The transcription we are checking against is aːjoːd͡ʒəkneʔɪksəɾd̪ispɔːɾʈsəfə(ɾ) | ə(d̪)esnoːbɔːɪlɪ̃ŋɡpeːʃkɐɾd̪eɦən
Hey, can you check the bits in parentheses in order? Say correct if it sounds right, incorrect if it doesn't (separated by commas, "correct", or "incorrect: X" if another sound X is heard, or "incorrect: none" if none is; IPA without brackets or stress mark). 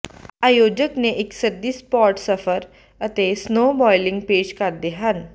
correct, incorrect: t̪